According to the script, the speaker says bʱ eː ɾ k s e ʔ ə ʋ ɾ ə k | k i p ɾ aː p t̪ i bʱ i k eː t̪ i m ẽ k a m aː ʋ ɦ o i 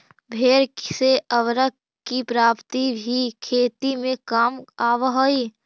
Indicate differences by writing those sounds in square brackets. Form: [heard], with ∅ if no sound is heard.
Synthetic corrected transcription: bʱ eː ɾ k s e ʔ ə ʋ ɾ ə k | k i p ɾ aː p t̪ i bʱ i [kʰ] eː t̪ i m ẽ k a m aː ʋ ɦ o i